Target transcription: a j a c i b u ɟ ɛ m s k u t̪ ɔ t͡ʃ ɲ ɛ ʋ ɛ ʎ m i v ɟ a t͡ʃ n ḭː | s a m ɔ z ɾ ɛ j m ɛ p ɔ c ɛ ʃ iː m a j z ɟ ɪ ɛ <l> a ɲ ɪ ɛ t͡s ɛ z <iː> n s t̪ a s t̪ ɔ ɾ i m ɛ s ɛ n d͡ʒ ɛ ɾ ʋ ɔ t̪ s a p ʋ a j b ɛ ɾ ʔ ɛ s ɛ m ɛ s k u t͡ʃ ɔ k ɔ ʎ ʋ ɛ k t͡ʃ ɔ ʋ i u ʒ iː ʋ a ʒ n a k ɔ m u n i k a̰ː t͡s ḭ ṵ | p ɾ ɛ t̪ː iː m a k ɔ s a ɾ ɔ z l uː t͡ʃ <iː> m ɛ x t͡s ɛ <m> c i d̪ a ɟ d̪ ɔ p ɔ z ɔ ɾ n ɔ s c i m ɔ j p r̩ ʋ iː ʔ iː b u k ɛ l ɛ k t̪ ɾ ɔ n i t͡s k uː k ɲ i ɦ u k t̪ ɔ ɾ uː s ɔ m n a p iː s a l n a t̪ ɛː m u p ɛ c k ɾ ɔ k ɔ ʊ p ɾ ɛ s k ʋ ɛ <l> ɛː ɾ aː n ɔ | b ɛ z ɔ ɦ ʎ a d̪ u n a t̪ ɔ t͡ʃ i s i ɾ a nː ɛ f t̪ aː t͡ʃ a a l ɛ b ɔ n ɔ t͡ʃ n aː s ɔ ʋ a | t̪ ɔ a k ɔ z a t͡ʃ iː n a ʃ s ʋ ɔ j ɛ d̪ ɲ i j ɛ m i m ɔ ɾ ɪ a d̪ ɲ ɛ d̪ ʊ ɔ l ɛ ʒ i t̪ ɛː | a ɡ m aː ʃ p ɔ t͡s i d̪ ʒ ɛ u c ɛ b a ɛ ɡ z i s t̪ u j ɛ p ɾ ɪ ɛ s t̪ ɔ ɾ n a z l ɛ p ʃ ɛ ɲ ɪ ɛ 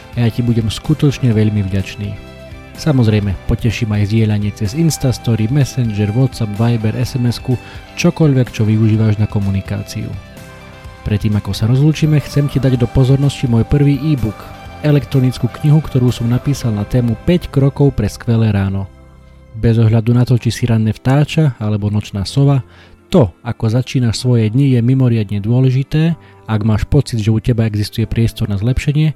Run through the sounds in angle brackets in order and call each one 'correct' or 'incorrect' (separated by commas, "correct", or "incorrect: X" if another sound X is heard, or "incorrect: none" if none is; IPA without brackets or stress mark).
incorrect: ʎ, incorrect: i, correct, correct, correct